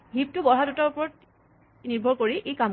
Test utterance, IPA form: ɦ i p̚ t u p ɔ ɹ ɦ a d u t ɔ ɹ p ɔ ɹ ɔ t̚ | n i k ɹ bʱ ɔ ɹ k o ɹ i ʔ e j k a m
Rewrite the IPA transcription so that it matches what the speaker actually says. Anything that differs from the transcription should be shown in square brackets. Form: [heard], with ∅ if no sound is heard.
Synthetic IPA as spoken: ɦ i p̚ t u [b] ɔ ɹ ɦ a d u t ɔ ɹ p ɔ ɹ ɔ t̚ | n i [∅] ɹ bʱ ɔ ɹ k o ɹ i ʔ e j k a m

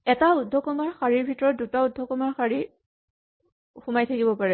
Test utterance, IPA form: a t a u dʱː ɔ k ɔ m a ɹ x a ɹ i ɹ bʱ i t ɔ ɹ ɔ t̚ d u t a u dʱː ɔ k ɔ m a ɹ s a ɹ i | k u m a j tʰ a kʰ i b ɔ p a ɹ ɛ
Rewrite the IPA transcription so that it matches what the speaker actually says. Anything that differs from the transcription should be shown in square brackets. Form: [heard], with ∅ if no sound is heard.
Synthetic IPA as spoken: [ɛ] t a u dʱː ɔ k ɔ m a ɹ x a ɹ i ɹ bʱ i t ɔ ɹ ɔ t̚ d u t a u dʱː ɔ k ɔ m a ɹ [x] a ɹ i | [x] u m a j tʰ a [k] i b ɔ p a ɹ ɛ

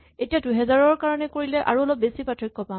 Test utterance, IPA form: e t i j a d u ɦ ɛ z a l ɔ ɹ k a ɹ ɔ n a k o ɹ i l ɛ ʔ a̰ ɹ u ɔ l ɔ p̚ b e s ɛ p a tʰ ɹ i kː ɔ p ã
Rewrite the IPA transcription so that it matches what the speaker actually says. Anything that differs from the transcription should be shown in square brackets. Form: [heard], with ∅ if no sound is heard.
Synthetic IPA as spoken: e t i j a d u ɦ ɛ z a [ɹ] ɔ ɹ k a ɹ ɔ n [ɛ] k o ɹ i l ɛ ʔ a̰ ɹ u ɔ l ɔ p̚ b e s [i] p a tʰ ɹ i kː ɔ p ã

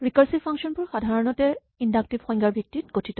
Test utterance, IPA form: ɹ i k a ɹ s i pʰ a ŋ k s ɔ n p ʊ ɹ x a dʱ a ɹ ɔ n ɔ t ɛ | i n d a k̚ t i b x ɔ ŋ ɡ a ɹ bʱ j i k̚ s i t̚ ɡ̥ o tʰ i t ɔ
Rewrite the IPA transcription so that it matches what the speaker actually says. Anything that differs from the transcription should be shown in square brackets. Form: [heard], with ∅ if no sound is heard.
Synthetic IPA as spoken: ɹ i k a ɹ s i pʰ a ŋ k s ɔ n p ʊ ɹ x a dʱ a ɹ ɔ n ɔ t ɛ | i n d a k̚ t i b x ɔ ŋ ɡ a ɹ bʱ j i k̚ [t] i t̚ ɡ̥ o tʰ i t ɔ

